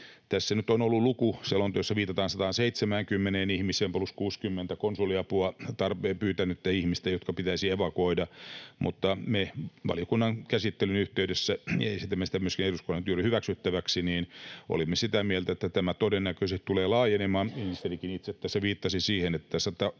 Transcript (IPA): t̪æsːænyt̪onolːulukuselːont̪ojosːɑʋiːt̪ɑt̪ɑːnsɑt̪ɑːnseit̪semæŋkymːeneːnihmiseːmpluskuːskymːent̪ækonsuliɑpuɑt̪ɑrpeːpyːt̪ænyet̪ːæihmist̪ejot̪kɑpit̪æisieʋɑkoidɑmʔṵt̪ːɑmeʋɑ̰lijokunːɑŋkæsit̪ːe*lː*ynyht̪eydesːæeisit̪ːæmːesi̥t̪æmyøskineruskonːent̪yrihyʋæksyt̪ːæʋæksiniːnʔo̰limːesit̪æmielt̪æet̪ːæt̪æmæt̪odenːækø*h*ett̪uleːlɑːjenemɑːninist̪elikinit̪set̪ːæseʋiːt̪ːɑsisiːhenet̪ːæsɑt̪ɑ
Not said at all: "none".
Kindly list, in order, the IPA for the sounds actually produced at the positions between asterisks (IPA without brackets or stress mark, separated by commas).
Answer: l, s